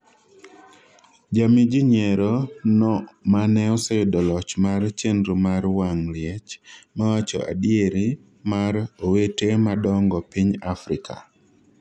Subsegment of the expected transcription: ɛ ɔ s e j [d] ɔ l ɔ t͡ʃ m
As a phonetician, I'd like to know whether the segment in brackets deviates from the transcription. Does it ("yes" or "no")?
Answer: no